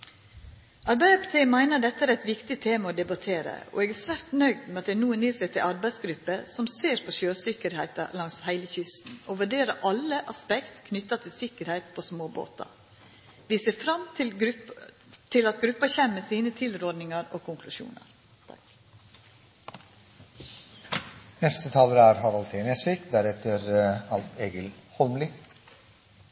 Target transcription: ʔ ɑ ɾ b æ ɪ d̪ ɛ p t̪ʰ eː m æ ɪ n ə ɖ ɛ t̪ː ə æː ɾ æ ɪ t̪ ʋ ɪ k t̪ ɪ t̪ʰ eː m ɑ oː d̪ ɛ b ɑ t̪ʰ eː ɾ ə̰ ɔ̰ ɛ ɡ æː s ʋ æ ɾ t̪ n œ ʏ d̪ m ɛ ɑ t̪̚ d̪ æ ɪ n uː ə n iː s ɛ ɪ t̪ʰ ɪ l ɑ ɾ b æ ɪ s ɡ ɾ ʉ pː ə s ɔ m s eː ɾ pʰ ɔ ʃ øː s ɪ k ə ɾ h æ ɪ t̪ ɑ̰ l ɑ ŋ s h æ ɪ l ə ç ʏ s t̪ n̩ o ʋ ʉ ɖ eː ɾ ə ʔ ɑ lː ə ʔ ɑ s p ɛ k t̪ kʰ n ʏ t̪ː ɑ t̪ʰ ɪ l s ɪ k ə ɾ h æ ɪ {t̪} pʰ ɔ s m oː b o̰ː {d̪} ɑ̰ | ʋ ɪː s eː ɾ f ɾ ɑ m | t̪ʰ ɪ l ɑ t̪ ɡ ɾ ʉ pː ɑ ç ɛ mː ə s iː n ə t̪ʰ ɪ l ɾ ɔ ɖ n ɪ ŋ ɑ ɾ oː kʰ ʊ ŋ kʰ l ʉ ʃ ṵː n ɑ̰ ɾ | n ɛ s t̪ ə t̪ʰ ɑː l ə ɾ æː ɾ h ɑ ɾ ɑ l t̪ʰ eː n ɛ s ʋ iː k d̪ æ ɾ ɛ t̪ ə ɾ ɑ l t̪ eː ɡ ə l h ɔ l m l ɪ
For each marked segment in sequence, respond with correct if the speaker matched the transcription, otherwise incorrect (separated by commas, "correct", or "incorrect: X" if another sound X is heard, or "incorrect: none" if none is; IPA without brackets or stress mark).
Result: correct, incorrect: t̪